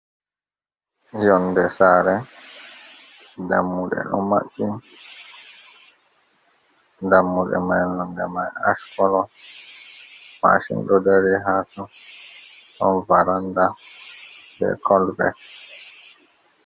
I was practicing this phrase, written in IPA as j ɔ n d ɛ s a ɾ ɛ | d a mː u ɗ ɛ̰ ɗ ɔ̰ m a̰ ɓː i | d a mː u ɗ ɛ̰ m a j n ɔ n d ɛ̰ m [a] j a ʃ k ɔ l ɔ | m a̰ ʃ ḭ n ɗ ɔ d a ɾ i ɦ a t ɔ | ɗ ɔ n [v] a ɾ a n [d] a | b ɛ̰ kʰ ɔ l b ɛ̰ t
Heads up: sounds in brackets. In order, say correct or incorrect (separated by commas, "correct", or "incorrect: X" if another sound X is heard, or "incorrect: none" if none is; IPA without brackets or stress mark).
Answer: correct, correct, correct